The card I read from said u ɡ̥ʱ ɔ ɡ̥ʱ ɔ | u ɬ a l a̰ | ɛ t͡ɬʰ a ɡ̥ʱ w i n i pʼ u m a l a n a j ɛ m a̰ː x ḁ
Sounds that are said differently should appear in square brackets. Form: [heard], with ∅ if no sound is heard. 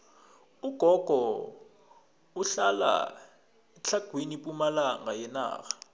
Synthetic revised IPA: u ɡ̥ʱ ɔ ɡ̥ʱ ɔ | u ɬ a l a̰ | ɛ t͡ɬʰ a ɡ̥ʱ w i n i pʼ u m a l a [ŋ] a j ɛ [n] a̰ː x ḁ